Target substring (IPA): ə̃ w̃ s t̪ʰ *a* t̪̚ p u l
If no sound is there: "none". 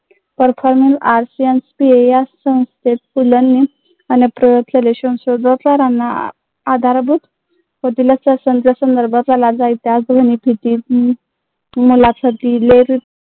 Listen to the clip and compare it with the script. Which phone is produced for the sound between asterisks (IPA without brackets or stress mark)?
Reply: e